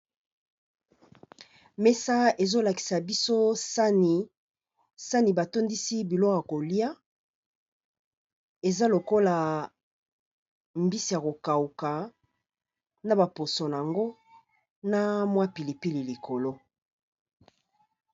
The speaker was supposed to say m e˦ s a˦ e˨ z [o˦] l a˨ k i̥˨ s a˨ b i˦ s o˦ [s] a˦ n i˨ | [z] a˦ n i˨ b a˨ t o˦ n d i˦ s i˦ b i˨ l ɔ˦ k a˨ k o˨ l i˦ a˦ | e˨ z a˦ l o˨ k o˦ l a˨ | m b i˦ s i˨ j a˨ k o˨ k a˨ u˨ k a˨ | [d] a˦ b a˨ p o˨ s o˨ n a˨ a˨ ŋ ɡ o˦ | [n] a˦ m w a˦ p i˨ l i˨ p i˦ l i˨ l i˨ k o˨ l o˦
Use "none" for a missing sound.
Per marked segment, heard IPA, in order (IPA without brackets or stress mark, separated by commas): o˦, s, s, n, n